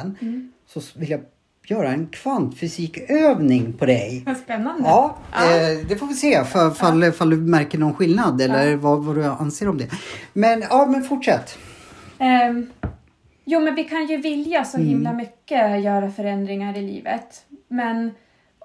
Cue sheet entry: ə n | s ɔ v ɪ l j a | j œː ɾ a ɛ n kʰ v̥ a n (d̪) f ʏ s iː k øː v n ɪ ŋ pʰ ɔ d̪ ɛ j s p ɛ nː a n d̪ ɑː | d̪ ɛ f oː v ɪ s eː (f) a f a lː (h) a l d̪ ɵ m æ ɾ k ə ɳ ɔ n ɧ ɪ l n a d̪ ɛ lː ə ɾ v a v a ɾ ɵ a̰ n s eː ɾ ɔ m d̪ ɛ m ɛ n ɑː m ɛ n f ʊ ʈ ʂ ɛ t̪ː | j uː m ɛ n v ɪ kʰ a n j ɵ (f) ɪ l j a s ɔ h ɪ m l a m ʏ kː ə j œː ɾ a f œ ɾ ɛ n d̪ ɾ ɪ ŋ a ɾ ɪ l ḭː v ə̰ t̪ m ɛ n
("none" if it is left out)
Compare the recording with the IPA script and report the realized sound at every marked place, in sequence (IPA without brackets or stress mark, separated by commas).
t̪, f, f, v